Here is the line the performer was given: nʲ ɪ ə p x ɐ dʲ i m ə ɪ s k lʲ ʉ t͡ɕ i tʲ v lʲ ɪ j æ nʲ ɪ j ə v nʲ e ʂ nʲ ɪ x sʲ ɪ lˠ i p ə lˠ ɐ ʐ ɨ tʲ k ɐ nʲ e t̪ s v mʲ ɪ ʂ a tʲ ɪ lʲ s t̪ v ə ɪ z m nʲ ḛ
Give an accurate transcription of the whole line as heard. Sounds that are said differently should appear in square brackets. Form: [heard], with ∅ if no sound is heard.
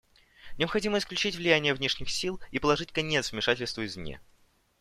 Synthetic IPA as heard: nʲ ɪ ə p x ɐ dʲ i m ə ɪ s k lʲ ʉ t͡ɕ i tʲ v lʲ ɪ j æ nʲ ɪ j ə v nʲ e ʂ nʲ ɪ x sʲ [i] lˠ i p ə lˠ ɐ ʐ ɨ tʲ k ɐ nʲ e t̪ s v mʲ ɪ ʂ a tʲ ɪ lʲ s t̪ v ə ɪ z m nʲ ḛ